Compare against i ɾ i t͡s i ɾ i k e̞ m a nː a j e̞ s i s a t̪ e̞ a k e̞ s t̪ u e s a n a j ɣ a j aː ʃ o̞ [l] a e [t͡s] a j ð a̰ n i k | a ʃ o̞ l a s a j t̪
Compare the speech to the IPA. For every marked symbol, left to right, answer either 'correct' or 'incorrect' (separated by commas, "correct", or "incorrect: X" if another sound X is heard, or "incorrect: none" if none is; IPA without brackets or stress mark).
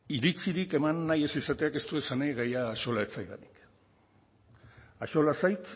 correct, correct